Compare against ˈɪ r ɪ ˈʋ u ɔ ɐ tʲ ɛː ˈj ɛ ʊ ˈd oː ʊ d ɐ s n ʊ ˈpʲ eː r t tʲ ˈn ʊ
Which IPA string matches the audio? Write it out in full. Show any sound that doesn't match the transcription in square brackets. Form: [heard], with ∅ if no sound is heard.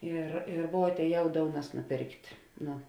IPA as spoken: ˈɪ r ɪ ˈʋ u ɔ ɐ tʲ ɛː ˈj ɛ ʊ ˈd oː ʊ [n] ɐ s n ʊ ˈpʲ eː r [k] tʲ ˈn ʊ

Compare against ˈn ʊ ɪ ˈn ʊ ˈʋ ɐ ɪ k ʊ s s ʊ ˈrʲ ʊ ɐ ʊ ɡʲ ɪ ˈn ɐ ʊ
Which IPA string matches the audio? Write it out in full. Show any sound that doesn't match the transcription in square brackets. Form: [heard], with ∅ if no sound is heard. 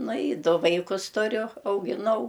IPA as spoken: ˈn ʊ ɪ [ˈd] ʊ ˈʋ ɐ ɪ k ʊ s [t] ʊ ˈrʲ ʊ ɐ ʊ ɡʲ ɪ ˈn ɐ ʊ

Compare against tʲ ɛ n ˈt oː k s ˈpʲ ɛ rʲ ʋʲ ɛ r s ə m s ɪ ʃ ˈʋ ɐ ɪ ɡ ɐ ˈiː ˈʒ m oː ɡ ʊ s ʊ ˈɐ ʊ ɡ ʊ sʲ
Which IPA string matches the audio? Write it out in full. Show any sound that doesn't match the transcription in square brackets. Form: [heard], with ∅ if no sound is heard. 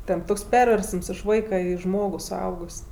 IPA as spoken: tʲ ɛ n ˈt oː k s ˈpʲ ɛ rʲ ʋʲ ɛ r s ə m s ɪ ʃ ˈʋ ɐ ɪ [k] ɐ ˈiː ˈʒ m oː ɡ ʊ s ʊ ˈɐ ʊ ɡ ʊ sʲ

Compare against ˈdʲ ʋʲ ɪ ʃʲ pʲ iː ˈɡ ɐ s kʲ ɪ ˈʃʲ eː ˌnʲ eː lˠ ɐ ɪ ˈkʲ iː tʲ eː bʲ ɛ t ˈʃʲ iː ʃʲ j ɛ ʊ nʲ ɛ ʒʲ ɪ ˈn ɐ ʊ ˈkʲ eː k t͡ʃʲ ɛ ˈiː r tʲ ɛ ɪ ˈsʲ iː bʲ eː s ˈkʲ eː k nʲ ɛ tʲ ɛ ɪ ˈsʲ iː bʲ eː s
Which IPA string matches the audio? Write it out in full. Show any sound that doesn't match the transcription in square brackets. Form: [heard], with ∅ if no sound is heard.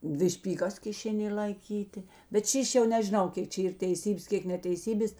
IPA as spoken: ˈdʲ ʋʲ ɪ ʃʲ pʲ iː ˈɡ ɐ s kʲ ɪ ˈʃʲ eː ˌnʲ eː lˠ ɐ ɪ ˈkʲ iː tʲ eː bʲ ɛ t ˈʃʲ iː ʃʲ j ɛ ʊ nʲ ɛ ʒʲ ɪ ˈn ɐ ʊ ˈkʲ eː k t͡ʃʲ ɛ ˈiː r tʲ ɛ ɪ ˈsʲ iː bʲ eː s ˈkʲ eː k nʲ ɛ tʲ ɛ ɪ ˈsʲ iː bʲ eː s

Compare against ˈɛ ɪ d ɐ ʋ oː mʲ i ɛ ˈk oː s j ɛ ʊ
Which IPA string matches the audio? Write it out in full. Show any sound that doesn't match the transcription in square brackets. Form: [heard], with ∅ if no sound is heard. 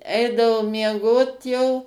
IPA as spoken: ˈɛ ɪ d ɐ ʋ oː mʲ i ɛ [ˈɡ] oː [t] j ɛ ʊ

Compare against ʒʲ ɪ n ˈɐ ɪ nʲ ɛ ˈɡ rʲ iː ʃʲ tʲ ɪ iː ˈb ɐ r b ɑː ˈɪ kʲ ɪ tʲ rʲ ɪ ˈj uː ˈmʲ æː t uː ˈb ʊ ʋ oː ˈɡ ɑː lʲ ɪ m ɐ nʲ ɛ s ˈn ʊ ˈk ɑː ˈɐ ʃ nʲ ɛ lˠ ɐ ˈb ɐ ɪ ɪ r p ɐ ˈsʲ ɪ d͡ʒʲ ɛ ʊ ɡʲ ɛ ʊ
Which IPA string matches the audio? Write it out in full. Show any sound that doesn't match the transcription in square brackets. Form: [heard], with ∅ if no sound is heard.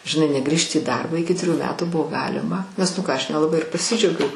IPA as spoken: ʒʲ ɪ n ˈɐ ɪ nʲ ɛ ˈɡ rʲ iː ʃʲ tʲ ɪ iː [ˈd] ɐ r b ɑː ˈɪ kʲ ɪ tʲ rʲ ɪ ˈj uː ˈmʲ æː t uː ˈb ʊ ʋ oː ˈɡ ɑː lʲ ɪ m ɐ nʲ ɛ s ˈn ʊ ˈk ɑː ˈɐ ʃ nʲ ɛ lˠ ɐ ˈb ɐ ɪ ɪ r p ɐ ˈsʲ ɪ d͡ʒʲ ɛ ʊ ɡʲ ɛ ʊ

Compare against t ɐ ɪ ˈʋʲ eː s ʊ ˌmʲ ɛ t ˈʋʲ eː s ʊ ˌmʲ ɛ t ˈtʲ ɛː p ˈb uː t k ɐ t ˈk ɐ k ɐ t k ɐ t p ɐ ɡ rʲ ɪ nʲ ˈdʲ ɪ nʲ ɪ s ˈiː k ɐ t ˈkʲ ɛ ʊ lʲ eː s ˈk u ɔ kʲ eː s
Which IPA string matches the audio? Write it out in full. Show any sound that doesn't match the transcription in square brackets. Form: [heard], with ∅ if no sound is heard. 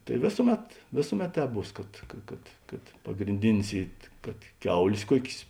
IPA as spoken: t ɐ ɪ ˈʋʲ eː s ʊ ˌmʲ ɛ t ˈʋʲ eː s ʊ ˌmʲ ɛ t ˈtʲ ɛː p ˈb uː [s] k ɐ t ˈk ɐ k ɐ t k ɐ t p ɐ ɡ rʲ ɪ nʲ ˈdʲ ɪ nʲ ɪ s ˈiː k ɐ t ˈkʲ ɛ ʊ lʲ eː s ˈk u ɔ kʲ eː s

